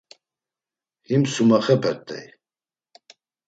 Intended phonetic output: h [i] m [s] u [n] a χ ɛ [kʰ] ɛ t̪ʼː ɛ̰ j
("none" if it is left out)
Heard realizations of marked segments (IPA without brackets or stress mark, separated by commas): i, s, m, pʰ